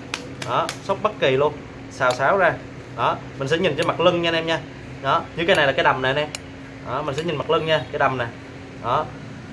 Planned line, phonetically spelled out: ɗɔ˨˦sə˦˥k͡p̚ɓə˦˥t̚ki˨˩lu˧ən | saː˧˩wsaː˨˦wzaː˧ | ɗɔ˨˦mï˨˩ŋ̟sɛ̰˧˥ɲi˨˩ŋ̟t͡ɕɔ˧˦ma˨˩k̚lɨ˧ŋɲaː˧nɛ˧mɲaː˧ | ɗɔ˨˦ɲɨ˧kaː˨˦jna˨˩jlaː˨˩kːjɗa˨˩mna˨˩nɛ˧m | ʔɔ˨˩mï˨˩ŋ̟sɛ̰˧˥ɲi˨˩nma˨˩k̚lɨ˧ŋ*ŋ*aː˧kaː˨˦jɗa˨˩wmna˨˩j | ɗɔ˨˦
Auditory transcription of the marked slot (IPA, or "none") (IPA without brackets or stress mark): ɲ